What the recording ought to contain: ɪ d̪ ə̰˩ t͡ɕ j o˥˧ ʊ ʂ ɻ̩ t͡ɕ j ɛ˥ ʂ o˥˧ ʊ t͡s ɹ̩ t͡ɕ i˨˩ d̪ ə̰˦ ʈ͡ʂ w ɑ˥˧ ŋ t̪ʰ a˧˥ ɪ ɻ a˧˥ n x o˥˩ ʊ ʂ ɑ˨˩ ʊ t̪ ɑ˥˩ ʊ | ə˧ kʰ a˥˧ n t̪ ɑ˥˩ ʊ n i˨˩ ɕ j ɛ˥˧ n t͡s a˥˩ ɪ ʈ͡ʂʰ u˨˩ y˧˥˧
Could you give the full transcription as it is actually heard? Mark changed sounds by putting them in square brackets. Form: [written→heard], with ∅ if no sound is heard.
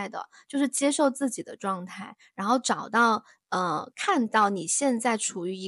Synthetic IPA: ɪ d̪ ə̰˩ t͡ɕ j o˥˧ ʊ ʂ ɻ̩ t͡ɕ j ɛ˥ ʂ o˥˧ ʊ t͡s ɹ̩ t͡ɕ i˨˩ d̪ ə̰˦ ʈ͡ʂ w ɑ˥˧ ŋ t̪ʰ [a˧˥→a˥˩] ɪ ɻ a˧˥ n x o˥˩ ʊ [ʂ→ʈ͡ʂ] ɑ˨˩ ʊ t̪ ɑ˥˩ ʊ | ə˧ kʰ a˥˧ n t̪ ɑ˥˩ ʊ n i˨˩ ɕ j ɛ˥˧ n t͡s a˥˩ ɪ ʈ͡ʂʰ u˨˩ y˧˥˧